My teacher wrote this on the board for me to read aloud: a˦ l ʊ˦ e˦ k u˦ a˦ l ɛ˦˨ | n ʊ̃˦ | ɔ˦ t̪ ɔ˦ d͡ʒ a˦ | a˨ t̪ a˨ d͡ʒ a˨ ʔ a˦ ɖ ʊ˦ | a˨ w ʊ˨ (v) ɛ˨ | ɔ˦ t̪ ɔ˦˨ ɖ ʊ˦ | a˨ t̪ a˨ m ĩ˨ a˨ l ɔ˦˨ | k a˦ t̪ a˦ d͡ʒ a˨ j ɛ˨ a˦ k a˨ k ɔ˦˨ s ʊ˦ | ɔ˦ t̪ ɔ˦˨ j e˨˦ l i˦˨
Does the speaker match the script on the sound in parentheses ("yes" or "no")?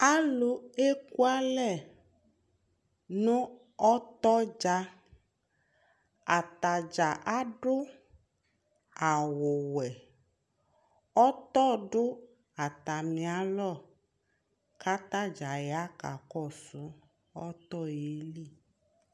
no